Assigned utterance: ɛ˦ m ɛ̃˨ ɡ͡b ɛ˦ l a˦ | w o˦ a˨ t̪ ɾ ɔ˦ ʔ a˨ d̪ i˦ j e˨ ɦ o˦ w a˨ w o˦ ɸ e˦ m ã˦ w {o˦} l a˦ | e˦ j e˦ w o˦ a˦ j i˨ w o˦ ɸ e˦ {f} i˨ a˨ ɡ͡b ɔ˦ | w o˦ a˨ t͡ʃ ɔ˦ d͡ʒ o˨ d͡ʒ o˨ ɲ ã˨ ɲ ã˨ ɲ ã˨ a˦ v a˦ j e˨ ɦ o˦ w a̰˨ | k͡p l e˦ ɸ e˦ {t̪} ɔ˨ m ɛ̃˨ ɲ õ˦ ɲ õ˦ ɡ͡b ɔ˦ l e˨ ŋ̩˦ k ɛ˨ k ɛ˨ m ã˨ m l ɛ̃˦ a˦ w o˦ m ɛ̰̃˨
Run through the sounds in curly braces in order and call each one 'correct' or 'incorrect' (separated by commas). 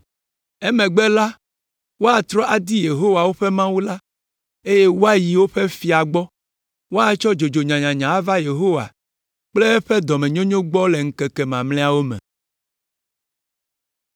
incorrect, correct, incorrect